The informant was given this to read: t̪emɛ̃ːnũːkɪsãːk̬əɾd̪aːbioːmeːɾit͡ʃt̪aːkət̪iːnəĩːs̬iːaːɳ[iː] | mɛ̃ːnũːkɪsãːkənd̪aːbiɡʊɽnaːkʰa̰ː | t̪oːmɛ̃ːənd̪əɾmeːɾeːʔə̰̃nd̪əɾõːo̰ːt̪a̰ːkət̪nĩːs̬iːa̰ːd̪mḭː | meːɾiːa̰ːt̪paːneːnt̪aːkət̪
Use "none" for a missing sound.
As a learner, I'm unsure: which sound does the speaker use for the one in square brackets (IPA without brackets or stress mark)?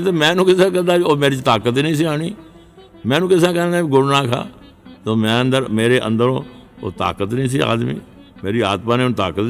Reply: iː